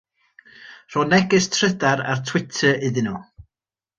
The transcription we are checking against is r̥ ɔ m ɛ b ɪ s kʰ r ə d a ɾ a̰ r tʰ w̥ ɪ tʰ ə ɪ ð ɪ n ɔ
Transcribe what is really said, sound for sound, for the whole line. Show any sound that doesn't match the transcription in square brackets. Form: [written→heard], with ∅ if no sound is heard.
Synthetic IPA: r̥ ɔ [m→n] ɛ [b→ɡ] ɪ s [kʰ→tʰ] r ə d a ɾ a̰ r tʰ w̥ ɪ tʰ ə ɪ ð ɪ n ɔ